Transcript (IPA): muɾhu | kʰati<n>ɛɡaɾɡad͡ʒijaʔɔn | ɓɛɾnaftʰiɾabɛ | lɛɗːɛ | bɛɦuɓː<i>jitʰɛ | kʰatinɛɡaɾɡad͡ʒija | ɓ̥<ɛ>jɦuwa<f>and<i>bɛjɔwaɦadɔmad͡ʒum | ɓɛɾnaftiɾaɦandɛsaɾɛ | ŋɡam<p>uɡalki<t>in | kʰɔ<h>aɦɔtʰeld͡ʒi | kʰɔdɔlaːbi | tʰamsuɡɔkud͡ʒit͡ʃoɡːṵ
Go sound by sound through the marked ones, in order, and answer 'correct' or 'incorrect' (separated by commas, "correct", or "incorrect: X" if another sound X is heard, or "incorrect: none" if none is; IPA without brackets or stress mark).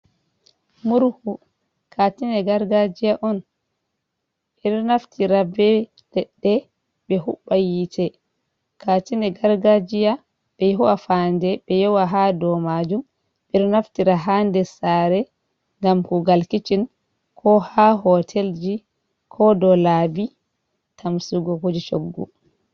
correct, incorrect: a, correct, correct, incorrect: ɛ, incorrect: k, incorrect: t͡ʃ, correct